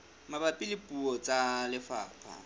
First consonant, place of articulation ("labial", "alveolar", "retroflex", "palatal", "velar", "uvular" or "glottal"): labial